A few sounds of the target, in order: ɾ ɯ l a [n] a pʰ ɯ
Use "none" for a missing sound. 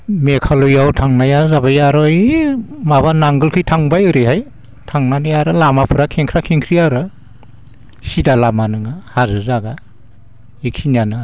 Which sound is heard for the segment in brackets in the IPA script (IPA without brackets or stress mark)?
m